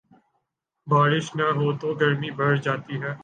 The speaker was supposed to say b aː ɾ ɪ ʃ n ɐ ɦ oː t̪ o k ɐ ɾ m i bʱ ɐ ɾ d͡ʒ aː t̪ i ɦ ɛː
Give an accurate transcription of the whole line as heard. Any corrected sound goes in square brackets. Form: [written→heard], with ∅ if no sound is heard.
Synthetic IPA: b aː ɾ ɪ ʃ n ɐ ɦ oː t̪ o [k→ɡ] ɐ ɾ m i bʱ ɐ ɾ d͡ʒ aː t̪ i ɦ ɛː